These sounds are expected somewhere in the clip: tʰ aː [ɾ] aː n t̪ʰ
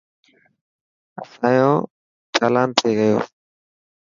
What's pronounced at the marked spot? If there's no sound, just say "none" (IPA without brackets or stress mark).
l